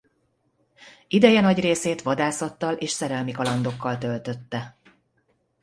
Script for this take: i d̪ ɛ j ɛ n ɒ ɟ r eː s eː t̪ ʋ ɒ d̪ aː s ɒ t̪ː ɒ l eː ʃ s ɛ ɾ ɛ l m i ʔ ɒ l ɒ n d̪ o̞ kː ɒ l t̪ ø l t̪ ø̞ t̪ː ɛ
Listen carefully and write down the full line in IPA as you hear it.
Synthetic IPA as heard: i d̪ ɛ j ɛ n ɒ ɟ r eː s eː t̪ ʋ ɒ d̪ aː s ɒ t̪ː ɒ l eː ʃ s ɛ ɾ ɛ l m i k ɒ l ɒ n d̪ o̞ kː ɒ l t̪ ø l t̪ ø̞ t̪ː ɛ